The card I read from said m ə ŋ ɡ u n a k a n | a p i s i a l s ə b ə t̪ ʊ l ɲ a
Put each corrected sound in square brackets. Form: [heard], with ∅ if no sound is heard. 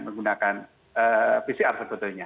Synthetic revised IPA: m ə ŋ ɡ u n a k a n | [ə] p i s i a [r] s ə b ə t̪ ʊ l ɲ a